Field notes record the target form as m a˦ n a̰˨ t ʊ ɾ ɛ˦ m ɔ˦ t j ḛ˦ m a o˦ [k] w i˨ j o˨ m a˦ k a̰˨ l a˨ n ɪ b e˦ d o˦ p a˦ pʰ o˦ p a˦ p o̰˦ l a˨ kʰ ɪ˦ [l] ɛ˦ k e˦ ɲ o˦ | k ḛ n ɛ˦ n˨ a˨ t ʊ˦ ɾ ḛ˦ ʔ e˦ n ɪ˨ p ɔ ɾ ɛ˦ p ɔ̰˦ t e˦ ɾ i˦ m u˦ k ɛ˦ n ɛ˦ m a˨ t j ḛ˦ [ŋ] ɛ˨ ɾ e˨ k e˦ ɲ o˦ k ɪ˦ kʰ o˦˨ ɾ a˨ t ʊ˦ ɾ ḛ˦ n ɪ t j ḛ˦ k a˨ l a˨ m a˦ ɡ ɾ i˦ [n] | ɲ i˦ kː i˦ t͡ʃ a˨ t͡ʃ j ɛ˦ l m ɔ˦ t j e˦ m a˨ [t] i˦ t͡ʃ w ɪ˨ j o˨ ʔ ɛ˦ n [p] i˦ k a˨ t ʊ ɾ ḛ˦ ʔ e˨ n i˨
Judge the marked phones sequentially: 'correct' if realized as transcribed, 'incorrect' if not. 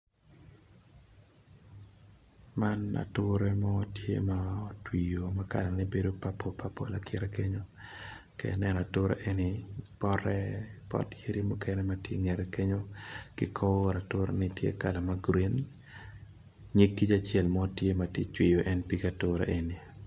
incorrect: t, incorrect: ɾ, correct, correct, correct, correct

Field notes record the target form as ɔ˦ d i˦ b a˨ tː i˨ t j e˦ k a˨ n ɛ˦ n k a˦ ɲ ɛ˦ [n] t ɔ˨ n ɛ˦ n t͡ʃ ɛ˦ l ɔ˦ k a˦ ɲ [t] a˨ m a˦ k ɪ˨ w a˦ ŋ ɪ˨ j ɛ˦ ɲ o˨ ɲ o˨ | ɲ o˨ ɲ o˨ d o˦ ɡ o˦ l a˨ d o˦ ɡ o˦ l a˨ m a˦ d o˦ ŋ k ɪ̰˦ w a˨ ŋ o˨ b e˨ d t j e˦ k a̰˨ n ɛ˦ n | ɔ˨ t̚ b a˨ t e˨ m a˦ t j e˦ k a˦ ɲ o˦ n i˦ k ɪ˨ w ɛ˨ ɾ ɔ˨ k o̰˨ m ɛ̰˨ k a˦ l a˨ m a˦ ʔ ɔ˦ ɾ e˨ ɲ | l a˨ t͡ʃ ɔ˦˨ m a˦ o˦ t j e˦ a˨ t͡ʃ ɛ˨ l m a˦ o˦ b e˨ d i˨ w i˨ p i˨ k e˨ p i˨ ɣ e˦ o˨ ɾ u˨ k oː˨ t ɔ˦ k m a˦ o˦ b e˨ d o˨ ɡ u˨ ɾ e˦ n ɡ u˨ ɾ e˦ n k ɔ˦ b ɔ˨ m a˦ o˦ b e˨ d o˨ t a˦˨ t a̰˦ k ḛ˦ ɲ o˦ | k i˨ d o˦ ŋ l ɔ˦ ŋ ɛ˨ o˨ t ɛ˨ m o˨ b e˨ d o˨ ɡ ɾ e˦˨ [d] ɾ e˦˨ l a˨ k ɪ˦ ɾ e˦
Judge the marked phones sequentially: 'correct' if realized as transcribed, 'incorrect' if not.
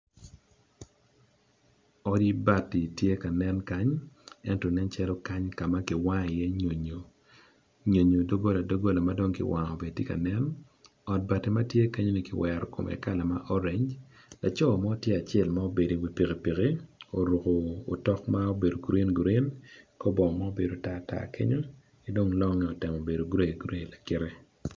correct, incorrect: k, incorrect: ɡ

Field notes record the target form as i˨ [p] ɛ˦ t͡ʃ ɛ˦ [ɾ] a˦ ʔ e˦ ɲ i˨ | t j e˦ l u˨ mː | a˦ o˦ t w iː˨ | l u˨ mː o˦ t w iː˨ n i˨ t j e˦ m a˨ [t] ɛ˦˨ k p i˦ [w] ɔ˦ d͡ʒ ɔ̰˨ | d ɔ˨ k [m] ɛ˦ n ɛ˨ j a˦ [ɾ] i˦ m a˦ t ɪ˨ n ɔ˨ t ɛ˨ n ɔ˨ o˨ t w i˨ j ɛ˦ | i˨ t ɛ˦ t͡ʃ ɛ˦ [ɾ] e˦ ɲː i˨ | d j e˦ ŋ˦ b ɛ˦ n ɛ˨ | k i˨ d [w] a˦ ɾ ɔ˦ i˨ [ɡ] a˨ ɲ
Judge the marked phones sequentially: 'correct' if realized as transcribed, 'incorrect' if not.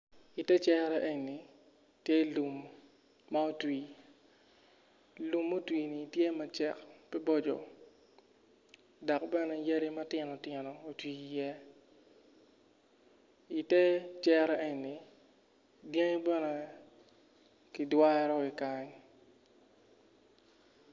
incorrect: t, correct, incorrect: t͡ʃ, incorrect: b, incorrect: b, correct, correct, correct, incorrect: k

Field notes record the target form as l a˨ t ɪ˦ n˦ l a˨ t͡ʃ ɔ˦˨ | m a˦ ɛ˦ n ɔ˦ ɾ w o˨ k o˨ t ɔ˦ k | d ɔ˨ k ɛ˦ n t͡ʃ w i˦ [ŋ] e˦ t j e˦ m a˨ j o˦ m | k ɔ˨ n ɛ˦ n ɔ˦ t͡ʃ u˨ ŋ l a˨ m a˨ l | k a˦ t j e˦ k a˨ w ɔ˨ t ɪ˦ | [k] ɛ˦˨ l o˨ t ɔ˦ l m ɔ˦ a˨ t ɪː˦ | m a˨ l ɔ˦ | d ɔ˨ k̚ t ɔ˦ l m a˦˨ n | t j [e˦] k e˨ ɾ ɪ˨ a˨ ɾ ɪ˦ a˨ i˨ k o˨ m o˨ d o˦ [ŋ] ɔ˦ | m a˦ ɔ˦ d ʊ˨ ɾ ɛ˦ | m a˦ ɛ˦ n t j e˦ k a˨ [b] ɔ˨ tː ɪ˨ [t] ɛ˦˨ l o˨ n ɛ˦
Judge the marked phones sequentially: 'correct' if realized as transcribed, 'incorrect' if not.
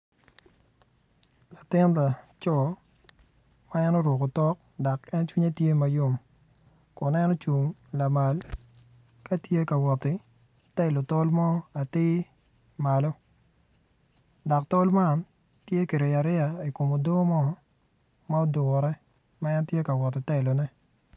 incorrect: ɲ, incorrect: t, correct, incorrect: m, incorrect: w, correct

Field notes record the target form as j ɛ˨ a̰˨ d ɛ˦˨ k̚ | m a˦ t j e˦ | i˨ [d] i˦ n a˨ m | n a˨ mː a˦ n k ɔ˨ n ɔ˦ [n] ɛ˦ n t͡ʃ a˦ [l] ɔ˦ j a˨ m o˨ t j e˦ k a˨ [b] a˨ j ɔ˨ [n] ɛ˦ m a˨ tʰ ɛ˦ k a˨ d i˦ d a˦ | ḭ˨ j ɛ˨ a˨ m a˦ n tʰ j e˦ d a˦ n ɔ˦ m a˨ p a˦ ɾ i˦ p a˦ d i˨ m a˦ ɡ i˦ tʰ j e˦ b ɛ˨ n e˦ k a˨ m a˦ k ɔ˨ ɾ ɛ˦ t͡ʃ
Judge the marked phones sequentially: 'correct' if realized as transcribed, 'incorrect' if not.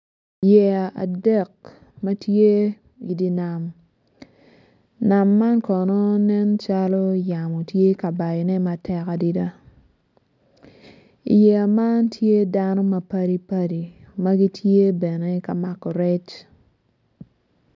correct, correct, correct, correct, correct

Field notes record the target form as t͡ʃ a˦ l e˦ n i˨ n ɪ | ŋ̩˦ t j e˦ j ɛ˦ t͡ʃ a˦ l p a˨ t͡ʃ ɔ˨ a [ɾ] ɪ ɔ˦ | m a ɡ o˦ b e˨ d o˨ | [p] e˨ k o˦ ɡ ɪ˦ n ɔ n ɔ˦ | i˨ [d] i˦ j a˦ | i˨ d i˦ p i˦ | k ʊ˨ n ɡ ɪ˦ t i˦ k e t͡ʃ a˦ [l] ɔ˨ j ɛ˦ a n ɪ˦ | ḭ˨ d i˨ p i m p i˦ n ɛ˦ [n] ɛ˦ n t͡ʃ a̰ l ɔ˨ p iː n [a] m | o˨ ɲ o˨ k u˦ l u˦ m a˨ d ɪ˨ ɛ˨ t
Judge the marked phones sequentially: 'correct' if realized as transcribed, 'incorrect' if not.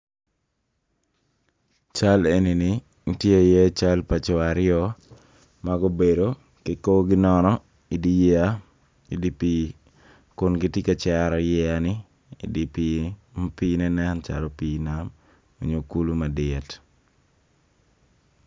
correct, incorrect: k, correct, incorrect: ɾ, correct, correct

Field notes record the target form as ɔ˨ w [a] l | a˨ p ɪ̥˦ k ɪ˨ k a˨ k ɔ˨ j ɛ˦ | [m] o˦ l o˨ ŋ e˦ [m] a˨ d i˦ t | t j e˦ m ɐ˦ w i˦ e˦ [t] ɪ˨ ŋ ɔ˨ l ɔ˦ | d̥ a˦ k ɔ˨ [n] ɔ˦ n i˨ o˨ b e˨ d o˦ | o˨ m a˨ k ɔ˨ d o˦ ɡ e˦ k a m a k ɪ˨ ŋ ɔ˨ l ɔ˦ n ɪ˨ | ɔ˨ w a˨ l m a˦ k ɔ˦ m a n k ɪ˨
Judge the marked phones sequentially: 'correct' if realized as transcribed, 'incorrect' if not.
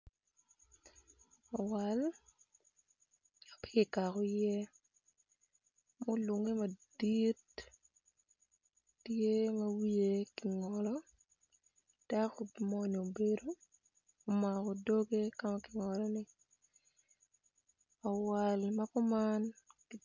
correct, correct, correct, incorrect: k, incorrect: m

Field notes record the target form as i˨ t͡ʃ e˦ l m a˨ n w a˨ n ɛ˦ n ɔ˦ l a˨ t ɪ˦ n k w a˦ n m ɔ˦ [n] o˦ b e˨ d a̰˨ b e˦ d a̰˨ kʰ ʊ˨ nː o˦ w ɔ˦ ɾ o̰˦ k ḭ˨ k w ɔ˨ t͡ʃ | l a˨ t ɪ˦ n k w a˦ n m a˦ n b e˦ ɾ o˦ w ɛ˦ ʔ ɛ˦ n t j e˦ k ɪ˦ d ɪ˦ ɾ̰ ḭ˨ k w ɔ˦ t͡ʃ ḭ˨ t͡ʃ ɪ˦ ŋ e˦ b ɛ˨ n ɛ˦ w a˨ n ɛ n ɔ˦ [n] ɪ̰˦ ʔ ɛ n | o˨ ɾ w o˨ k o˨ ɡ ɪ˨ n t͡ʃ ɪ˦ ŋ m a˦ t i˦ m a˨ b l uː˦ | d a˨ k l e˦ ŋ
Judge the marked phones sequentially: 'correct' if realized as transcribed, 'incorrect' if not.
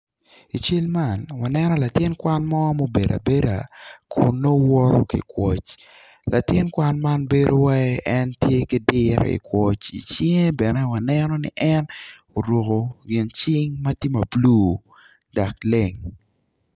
incorrect: m, correct

